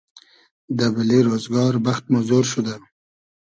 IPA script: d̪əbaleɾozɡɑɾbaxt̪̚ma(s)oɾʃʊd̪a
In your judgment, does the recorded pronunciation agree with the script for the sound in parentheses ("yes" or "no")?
no